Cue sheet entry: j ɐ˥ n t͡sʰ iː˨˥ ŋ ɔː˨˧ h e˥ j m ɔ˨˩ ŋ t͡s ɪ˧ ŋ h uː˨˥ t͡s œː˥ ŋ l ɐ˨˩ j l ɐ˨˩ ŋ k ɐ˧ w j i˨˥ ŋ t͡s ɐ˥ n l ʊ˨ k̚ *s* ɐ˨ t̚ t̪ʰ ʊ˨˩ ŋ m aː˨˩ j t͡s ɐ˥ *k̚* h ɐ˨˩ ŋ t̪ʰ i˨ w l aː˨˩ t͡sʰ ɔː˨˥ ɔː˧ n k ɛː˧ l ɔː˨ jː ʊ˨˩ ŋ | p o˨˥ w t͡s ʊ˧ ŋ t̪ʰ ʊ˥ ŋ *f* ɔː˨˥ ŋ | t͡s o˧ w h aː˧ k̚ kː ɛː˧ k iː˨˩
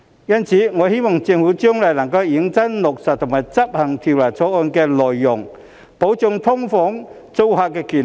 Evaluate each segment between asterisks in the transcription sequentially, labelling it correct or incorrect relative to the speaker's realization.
correct, incorrect: p̚, correct

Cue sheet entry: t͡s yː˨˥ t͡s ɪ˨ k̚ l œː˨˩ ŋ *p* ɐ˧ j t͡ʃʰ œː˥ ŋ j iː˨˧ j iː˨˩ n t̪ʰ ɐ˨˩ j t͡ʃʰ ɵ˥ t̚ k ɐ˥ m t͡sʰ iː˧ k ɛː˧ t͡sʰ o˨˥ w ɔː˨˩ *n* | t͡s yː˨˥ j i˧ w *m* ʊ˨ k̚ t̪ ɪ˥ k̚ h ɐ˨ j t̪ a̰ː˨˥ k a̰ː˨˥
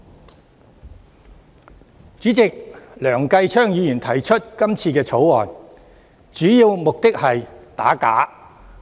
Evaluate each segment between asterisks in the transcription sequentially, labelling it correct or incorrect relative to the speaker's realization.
incorrect: k, correct, correct

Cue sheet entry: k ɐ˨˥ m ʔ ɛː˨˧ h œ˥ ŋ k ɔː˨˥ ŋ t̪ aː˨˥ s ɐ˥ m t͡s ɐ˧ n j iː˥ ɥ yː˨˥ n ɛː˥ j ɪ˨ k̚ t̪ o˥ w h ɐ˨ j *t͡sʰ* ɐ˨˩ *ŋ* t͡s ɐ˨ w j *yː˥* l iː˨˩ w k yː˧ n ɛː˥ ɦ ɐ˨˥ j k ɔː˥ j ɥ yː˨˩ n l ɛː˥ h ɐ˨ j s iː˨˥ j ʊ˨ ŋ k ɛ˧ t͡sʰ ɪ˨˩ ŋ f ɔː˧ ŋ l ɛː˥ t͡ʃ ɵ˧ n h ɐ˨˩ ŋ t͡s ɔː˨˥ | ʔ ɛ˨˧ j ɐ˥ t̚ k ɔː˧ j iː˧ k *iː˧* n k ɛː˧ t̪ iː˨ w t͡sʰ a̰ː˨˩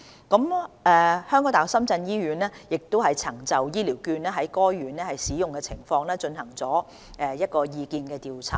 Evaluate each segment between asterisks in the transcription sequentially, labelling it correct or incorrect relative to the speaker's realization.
correct, correct, incorrect: iː˥, correct

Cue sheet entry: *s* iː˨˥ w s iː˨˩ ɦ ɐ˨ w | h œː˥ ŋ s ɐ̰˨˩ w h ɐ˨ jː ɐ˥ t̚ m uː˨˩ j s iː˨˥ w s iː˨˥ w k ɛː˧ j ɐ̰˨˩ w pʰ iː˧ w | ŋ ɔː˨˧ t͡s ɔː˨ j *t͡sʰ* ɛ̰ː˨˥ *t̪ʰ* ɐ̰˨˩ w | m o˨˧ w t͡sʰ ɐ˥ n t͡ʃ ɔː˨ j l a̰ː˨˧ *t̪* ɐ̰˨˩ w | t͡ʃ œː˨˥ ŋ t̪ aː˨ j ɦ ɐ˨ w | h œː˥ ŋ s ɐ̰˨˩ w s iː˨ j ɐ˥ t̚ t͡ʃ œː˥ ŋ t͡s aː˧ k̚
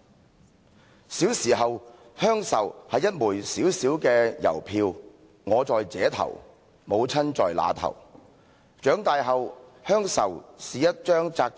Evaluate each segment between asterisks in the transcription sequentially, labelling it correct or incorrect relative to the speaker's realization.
correct, incorrect: t͡s, correct, incorrect: t̪ʰ

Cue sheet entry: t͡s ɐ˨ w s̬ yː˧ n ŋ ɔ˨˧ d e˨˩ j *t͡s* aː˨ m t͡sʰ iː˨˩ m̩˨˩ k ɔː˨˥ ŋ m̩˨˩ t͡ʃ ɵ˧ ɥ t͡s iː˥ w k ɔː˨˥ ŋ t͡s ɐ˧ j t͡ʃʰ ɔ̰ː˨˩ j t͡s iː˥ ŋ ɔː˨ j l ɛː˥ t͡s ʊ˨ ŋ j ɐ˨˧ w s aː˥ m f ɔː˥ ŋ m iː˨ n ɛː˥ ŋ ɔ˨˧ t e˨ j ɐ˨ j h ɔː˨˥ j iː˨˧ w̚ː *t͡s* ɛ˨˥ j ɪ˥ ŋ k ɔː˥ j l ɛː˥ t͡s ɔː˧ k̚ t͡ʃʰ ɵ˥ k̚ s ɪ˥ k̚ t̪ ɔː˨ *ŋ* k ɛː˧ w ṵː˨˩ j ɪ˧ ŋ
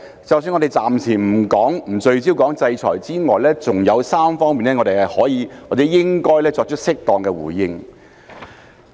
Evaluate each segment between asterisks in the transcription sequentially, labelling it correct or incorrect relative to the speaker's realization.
correct, correct, correct

